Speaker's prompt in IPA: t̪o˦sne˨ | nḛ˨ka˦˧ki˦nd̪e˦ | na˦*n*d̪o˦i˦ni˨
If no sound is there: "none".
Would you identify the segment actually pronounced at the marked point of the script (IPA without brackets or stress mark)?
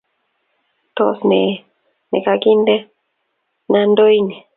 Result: n